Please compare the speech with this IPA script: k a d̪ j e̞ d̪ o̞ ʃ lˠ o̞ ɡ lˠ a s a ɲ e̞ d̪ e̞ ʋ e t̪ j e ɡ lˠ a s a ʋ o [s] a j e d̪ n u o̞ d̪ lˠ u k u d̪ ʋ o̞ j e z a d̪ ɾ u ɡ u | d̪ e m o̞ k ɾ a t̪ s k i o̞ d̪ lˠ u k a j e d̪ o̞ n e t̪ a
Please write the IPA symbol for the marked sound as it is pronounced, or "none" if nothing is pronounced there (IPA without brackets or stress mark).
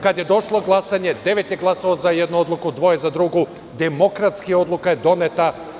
z